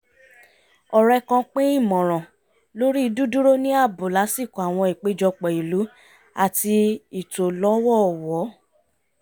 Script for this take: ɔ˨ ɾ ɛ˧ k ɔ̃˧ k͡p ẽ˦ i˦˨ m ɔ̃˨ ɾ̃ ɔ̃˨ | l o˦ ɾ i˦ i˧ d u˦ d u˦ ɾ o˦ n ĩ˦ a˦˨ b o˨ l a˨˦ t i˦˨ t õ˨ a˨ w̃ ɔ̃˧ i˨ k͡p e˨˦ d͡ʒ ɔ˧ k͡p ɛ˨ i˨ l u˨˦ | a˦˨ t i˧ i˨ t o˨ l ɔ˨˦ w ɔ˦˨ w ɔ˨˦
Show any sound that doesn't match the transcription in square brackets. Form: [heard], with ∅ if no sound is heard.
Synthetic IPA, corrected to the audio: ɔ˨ ɾ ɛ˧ k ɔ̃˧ k͡p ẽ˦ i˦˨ m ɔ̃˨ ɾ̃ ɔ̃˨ | l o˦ ɾ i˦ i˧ d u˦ d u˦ ɾ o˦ n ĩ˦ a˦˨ b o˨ l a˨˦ [s] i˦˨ [k] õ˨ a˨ w̃ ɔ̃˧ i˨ k͡p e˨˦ d͡ʒ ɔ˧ k͡p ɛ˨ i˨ l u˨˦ | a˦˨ t i˧ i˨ t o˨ l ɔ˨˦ w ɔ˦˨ w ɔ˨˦